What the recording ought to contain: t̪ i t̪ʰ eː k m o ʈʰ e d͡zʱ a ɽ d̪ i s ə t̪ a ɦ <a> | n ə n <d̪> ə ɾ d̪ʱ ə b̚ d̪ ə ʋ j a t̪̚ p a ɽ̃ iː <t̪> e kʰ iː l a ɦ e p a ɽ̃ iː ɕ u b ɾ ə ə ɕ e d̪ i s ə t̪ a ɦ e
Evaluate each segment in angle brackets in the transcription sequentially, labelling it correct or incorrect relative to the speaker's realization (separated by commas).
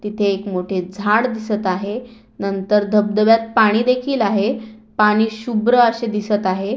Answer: incorrect, incorrect, incorrect